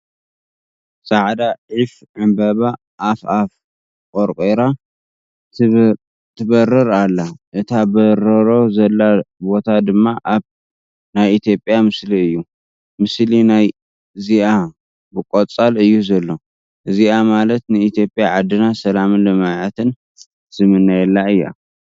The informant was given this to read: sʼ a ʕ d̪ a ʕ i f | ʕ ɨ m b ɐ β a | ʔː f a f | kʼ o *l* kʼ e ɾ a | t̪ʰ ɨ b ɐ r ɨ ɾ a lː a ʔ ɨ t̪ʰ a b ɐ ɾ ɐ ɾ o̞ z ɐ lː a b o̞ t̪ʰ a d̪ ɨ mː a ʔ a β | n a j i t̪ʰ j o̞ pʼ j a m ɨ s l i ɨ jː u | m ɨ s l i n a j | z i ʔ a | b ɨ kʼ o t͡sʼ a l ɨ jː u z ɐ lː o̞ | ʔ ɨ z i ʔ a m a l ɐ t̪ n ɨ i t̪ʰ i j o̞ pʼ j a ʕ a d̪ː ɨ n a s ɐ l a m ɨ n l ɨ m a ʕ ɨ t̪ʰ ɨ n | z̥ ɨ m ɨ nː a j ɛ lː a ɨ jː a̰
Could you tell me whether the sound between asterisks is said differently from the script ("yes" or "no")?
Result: yes